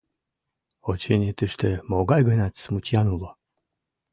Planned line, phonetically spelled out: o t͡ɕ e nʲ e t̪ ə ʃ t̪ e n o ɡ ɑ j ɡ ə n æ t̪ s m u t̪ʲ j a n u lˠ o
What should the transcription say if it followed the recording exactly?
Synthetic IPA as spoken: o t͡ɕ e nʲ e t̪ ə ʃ t̪ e m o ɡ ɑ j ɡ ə n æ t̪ s m u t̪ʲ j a n u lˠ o